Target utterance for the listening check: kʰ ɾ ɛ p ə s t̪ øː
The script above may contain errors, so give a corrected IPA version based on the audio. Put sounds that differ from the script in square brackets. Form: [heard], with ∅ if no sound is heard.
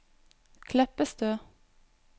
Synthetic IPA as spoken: kʰ [l] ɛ p ə s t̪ øː